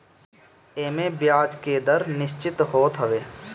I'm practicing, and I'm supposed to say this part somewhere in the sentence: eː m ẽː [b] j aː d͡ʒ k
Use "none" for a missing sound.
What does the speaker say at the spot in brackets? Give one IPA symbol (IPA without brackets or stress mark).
b